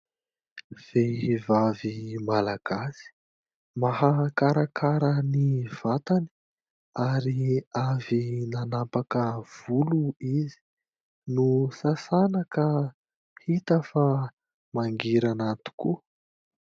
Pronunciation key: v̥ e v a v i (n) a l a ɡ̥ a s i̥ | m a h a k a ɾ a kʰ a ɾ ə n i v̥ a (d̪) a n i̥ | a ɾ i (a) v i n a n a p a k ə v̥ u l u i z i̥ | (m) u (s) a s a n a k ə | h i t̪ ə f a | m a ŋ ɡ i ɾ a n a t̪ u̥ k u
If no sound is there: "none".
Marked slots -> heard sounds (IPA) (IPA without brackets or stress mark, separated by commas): m, t̪, a, n, s